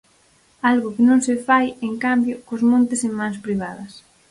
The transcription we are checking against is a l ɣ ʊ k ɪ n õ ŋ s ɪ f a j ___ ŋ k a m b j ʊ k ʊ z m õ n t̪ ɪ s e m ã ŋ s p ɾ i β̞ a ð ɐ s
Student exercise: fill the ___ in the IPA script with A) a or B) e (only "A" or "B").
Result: B